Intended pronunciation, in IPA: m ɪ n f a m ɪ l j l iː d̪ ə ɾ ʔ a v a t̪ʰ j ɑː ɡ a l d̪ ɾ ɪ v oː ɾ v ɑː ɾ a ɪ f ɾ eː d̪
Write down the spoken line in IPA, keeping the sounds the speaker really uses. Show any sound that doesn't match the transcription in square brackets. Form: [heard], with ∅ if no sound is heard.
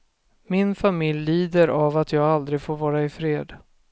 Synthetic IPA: m ɪ n f a m ɪ l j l iː d̪ ə ɾ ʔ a v a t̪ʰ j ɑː ɡ a l d̪ ɾ ɪ [f] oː ɾ v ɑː ɾ a ɪ f ɾ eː d̪